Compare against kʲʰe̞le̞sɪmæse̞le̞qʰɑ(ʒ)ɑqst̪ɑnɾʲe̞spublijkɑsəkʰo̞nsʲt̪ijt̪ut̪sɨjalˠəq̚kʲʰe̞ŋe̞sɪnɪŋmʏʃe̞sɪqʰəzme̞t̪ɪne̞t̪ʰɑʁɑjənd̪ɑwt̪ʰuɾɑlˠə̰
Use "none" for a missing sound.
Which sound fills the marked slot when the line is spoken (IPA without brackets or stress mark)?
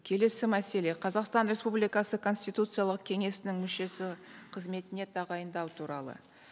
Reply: z